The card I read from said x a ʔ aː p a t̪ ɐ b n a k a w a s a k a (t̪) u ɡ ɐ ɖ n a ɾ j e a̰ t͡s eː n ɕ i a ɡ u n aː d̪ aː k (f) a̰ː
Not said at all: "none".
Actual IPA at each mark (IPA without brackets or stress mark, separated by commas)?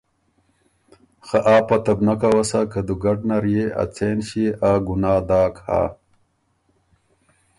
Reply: d̪, h